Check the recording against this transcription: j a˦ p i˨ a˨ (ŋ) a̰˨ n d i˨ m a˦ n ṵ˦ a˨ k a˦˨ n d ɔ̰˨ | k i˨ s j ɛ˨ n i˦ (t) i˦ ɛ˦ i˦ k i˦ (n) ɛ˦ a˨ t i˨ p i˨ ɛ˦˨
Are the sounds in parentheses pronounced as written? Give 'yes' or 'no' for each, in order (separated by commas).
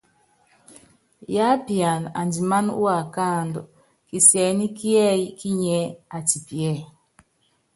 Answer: no, no, no